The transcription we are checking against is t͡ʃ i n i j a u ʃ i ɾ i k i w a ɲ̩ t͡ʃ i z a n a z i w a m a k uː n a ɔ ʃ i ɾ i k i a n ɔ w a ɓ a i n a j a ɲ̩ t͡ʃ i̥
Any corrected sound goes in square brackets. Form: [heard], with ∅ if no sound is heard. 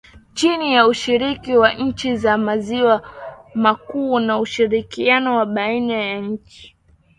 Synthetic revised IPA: t͡ʃ i n i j a u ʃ i ɾ i k i w a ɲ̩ t͡ʃ i z a [m] a z i w a m a k uː n a [u] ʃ i ɾ i k i a n ɔ w a ɓ a i n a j a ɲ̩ t͡ʃ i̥

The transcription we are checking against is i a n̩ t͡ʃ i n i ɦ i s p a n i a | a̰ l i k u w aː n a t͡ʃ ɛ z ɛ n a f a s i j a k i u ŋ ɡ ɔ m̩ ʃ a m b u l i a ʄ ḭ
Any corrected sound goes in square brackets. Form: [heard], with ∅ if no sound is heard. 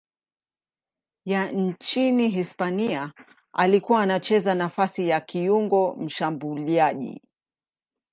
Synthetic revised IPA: [j] a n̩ t͡ʃ i n i ɦ i s p a n i a | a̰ l i k u w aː n a t͡ʃ ɛ z [a] n a f a s i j a k i u ŋ ɡ ɔ m̩ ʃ a m b u l i a ʄ ḭ

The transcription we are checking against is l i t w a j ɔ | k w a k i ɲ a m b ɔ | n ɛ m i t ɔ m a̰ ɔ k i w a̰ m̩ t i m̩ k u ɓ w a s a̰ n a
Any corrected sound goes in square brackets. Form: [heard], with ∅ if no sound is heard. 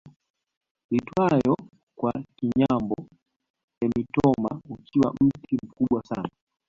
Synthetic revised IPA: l i t w a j ɔ | k w a k i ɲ a m b ɔ | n ɛ m i t ɔ m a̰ [u] k i w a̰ m̩ t i m̩ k u ɓ w a s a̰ n a

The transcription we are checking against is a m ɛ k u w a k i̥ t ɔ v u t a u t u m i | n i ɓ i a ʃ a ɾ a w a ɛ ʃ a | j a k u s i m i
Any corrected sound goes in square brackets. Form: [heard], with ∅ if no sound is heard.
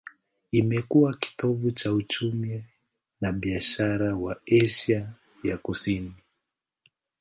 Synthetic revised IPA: [i] m ɛ k u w a k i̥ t ɔ v u [t͡ʃ] a u [t͡ʃ] u m i | n [a] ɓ i a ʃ a ɾ a w a ɛ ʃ a | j a k u s i [n] i

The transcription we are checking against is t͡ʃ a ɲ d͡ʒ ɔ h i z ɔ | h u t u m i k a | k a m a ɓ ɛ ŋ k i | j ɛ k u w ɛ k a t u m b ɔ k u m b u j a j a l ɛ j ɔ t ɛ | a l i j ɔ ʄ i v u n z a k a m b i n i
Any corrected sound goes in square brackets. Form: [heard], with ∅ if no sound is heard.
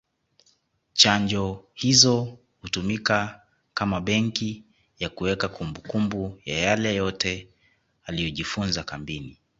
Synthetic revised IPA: t͡ʃ a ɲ d͡ʒ ɔ h i z ɔ | h u t u m i k a | k a m a ɓ ɛ ŋ k i | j [a] k u w ɛ k a [k] u m b [u] k u m b u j a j a l ɛ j ɔ t ɛ | a l i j ɔ ʄ i [f] u n z a k a m b i n i

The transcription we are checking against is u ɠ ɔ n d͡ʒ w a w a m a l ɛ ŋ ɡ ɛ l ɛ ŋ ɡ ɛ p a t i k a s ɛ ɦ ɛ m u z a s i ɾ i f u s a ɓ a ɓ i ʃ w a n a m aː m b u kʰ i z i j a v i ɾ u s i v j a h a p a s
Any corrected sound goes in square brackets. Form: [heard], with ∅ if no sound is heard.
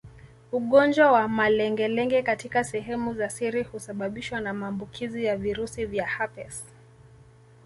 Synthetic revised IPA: u ɠ ɔ n d͡ʒ w a w a m a l ɛ ŋ ɡ ɛ l ɛ ŋ ɡ ɛ [k] a t i k a s ɛ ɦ ɛ m u z a s i ɾ i [h] u s a ɓ a ɓ i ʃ w a n a m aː m b u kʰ i z i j a v i ɾ u s i v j a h a p [ɛ] s

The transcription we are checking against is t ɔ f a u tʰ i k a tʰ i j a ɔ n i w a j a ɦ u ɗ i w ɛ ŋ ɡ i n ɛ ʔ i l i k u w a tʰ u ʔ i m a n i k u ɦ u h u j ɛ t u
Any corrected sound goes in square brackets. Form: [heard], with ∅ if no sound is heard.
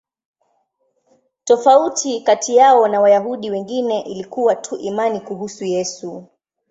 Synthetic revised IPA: t ɔ f a u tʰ i k a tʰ i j a ɔ n [a] w a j a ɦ u ɗ i w ɛ ŋ ɡ i n ɛ ʔ i l i k u w a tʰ u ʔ i m a n i k u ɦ u [s] u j ɛ [s] u

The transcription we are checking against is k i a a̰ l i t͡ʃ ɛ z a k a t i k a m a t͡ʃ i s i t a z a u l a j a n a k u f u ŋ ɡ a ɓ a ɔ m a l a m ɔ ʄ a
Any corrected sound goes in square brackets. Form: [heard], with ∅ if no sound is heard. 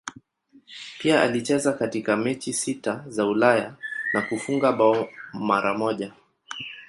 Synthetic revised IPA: [p] i a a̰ l i t͡ʃ ɛ z a k a t i k a m [ɛ] t͡ʃ i s i t a z a u l a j a n a k u f u ŋ ɡ a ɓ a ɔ m a [ɾ] a m ɔ ʄ a

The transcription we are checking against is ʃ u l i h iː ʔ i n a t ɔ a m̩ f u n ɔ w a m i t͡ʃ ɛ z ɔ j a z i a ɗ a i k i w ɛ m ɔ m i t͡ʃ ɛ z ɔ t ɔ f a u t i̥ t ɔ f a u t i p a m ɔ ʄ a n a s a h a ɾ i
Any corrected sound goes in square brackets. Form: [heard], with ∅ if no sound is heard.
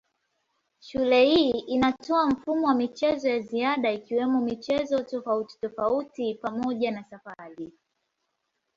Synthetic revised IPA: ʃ u l [ɛ] h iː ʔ i n a t ɔ a m̩ f u [m] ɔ w a m i t͡ʃ ɛ z ɔ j a z i a ɗ a i k i w ɛ m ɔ m i t͡ʃ ɛ z ɔ t ɔ f a u t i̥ t ɔ f a u t i p a m ɔ ʄ a n a s a [f] a ɾ i

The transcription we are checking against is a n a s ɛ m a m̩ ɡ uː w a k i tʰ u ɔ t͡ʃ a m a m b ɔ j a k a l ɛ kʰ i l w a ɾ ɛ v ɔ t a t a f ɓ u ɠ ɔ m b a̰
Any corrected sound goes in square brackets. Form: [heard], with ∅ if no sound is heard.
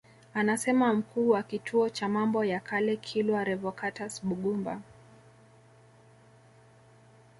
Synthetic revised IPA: a n a s ɛ m a m̩ [k] uː w a k i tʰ u ɔ t͡ʃ a m a m b ɔ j a k a l ɛ kʰ i l w a ɾ ɛ v ɔ [k] a t a [s] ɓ u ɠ [u] m b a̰

